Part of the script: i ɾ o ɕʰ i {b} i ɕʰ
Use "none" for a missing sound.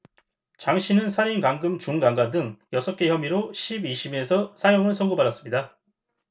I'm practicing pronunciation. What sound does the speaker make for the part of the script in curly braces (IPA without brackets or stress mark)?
b